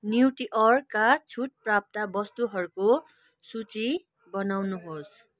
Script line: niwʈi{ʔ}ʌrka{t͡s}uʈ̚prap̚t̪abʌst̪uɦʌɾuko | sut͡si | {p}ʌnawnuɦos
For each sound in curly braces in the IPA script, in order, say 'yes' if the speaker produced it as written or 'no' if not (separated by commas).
yes, no, no